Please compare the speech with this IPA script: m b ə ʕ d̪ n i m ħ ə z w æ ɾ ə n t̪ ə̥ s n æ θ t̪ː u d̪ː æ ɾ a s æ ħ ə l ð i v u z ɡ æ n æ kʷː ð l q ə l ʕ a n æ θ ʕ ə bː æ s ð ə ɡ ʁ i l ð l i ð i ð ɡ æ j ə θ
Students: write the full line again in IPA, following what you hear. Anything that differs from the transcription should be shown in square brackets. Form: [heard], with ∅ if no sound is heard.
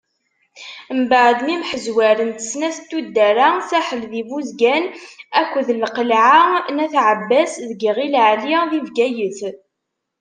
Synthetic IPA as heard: m b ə ʕ d̪ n i m ħ ə z w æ ɾ ə n t̪ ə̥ s n æ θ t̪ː u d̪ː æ ɾ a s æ ħ ə l ð i v u z ɡ æ n æ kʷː ð l q ə l ʕ a n æ θ ʕ ə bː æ s ð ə ɡ ʁ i l [ʕ] l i ð i [v] ɡ æ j ə θ